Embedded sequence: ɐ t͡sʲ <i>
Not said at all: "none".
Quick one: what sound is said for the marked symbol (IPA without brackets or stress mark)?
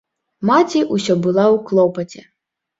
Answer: ɛ